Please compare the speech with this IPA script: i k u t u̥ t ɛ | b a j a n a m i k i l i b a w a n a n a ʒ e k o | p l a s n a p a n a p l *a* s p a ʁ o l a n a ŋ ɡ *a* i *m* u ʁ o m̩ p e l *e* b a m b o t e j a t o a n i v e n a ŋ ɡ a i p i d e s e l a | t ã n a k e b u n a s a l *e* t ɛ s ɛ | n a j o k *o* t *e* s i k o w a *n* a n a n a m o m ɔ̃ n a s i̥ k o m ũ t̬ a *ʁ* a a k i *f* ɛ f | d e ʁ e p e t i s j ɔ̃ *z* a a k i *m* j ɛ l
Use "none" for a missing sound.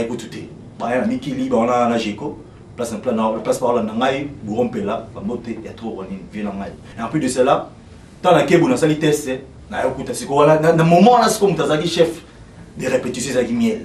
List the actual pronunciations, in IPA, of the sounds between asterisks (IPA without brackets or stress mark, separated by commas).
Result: a, a, b, a, i, u, a, n, z, ʃ, z, m